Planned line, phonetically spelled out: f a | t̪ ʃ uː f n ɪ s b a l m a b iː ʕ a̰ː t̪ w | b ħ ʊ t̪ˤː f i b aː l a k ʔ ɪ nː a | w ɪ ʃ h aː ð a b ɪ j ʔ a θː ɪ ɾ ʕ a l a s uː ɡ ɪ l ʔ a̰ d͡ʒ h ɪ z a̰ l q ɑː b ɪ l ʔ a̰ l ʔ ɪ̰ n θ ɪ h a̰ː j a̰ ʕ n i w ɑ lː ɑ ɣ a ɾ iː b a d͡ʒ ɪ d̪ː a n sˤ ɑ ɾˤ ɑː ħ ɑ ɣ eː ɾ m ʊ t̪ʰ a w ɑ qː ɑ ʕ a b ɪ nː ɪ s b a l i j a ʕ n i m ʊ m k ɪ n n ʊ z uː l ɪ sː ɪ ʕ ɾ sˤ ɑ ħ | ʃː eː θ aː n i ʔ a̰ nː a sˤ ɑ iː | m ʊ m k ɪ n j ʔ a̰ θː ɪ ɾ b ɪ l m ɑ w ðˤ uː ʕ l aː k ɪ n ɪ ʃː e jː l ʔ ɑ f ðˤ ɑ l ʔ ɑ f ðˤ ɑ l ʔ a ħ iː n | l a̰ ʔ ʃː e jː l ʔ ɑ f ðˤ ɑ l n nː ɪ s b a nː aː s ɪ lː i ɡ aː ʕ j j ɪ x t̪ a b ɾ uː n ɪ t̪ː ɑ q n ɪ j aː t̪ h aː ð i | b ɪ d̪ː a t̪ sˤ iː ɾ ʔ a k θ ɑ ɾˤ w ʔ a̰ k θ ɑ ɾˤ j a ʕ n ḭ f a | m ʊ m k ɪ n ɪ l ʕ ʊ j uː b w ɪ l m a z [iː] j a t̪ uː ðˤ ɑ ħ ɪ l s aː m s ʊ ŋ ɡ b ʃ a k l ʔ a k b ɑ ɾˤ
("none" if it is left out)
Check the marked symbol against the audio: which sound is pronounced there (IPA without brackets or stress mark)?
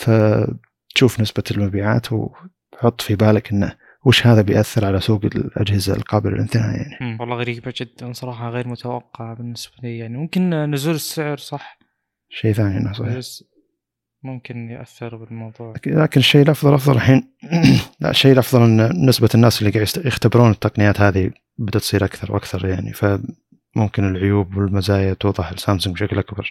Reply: aː